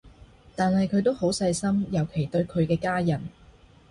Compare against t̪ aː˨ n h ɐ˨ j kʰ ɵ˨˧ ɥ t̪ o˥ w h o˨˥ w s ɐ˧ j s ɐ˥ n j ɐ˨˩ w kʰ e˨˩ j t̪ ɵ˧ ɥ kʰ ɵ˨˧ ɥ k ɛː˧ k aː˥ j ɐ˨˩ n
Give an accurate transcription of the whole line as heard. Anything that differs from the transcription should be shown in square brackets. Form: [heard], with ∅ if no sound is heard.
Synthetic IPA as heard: t̪ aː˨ n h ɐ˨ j kʰ ɵ˨˧ ɥ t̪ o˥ w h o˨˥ w s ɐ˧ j s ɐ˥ [m] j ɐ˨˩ w kʰ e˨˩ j t̪ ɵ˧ ɥ kʰ ɵ˨˧ ɥ k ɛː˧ k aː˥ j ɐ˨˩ n